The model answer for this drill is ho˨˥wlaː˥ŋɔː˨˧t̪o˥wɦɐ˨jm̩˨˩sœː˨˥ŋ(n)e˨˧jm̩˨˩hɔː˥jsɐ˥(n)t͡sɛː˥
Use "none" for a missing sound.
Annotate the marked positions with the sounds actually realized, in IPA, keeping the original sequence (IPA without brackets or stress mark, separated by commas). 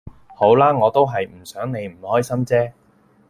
n, m